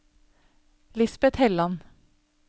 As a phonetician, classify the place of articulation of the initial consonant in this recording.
alveolar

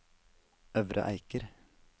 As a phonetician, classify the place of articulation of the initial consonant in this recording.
labial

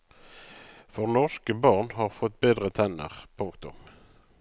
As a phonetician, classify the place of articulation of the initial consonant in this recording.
labial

